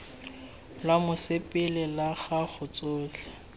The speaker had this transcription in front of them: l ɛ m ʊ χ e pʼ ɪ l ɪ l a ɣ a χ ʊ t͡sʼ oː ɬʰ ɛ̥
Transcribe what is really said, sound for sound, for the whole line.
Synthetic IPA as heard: l a m ʊ s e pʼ ɪ l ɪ l a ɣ a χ ʊ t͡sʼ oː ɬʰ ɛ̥